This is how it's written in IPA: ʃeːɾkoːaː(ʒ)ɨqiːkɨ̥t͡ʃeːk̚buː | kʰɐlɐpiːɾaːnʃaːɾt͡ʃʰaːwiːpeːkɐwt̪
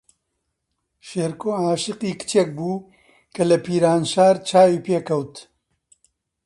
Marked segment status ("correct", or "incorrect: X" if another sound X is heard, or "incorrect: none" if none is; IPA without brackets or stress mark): incorrect: ʃ